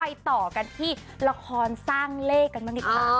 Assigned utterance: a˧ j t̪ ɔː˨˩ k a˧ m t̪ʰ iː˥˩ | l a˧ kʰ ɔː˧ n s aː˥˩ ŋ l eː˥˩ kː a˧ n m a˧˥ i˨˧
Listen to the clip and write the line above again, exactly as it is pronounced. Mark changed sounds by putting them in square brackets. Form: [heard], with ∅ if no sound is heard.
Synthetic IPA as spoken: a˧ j t̪ ɔː˨˩ k a˧ [n] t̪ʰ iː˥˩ | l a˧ kʰ ɔː˧ n s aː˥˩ ŋ l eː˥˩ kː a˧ n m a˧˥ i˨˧